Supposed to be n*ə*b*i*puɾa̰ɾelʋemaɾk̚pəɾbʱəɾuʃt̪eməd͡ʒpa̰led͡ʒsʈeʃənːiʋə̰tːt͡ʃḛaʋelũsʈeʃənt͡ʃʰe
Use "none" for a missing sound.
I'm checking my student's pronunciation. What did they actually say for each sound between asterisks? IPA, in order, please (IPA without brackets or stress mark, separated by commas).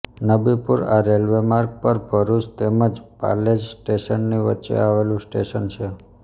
ə, i